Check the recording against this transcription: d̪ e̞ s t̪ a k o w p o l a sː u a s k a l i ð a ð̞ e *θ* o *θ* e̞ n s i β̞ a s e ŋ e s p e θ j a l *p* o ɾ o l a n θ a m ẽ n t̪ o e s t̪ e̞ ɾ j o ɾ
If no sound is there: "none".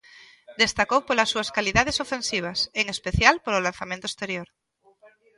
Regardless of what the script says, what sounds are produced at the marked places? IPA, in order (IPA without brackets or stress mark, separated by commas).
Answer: s, f, p